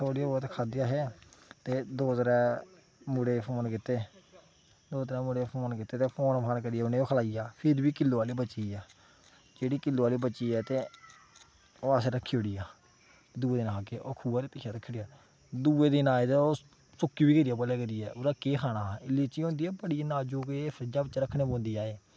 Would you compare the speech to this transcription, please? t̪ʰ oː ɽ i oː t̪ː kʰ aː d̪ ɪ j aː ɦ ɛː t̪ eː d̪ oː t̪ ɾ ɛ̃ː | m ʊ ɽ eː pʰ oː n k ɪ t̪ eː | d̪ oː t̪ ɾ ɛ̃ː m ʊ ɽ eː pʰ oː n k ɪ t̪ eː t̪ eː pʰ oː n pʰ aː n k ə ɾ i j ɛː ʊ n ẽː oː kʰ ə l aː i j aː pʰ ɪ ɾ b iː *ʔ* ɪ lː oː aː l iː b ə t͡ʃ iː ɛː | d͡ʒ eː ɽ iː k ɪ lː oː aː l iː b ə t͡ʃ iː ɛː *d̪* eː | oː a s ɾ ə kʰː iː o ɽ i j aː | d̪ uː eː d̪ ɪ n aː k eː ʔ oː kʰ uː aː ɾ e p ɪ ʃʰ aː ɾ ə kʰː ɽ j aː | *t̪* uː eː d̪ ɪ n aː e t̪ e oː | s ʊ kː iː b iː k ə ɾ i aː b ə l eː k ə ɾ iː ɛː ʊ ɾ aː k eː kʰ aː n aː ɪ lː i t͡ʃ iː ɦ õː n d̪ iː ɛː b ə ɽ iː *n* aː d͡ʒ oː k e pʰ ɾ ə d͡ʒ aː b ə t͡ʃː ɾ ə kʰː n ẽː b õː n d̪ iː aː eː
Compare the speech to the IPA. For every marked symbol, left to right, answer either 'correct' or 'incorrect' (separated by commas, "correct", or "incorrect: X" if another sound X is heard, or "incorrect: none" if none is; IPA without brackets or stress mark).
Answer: incorrect: k, incorrect: t̪, incorrect: d̪, correct